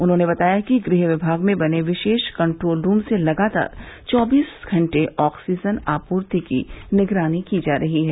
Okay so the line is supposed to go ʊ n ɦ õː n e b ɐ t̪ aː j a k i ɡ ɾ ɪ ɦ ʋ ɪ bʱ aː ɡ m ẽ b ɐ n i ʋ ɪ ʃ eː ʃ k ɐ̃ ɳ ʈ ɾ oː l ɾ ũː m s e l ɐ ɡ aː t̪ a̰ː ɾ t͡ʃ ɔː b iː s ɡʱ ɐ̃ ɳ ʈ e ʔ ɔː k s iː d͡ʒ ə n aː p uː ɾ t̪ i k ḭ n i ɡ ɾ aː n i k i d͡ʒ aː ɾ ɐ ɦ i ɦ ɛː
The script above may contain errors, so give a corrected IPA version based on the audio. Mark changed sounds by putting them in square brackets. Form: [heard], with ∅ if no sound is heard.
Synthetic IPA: ʊ n ɦ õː n e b ɐ t̪ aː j a k i ɡ ɾ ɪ ɦ ʋ ɪ bʱ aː ɡ m ẽ b ɐ n [e] ʋ ɪ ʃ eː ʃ k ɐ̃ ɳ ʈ ɾ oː l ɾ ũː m s e l ɐ ɡ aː t̪ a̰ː ɾ t͡ʃ ɔː b iː s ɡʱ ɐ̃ ɳ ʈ e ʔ ɔː k s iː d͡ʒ ə n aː p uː ɾ t̪ i k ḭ n [ɪ] ɡ ɾ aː n i k i d͡ʒ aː ɾ ɐ ɦ i ɦ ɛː